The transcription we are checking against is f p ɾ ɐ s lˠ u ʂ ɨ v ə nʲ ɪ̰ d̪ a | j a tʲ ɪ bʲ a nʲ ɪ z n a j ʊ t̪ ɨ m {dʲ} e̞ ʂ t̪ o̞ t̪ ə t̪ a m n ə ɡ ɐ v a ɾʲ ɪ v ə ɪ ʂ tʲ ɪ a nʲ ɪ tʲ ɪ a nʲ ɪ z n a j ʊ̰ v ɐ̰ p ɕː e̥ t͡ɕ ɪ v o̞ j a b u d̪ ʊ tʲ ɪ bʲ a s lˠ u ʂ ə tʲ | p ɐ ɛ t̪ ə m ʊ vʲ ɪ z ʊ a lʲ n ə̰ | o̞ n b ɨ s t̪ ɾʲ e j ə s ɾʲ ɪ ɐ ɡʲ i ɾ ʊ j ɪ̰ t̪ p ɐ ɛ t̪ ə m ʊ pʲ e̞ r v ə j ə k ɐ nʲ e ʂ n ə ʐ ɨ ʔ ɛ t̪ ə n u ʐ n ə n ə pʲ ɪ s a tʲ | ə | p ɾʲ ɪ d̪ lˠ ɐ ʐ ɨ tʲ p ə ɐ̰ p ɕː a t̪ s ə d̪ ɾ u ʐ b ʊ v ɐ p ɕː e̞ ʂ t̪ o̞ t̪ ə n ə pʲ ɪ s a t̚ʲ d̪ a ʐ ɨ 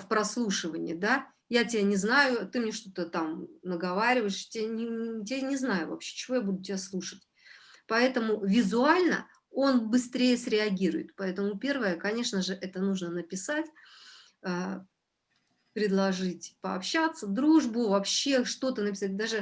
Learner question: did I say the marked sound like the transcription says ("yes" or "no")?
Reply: no